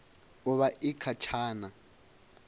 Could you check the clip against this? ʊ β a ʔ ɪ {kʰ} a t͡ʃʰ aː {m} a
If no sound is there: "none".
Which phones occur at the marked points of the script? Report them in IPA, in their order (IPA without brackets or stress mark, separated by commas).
kʰ, n